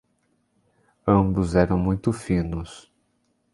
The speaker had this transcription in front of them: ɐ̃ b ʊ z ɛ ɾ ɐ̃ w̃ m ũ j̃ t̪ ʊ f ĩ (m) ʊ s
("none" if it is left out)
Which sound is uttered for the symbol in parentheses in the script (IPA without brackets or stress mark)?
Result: n